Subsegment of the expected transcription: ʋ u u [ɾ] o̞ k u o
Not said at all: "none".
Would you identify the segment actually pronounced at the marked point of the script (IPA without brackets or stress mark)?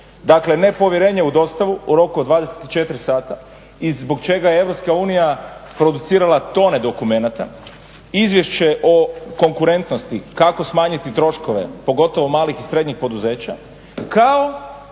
ɾ